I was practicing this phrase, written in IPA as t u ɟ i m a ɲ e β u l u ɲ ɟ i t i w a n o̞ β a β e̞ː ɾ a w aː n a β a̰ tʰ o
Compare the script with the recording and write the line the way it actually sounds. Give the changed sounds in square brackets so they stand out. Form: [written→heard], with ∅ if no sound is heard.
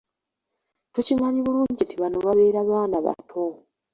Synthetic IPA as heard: t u [ɟ→c] i m a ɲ [e→i] β u l [u→uː] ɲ ɟ i t i [w→β] a n o̞ β a β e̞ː ɾ a [w→β] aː n a β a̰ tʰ o